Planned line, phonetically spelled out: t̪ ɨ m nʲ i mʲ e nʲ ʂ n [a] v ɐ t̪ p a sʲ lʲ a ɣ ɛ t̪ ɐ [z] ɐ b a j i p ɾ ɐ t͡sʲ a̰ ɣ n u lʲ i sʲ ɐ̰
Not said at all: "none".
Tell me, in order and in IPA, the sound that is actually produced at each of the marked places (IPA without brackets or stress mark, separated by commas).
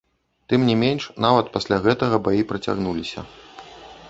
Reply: a, ɣ